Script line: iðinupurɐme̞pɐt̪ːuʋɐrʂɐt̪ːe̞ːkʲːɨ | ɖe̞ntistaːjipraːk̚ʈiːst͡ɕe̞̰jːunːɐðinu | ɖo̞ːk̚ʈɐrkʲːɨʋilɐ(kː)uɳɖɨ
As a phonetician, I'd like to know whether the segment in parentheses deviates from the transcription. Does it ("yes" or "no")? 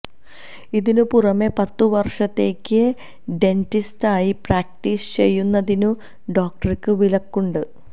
no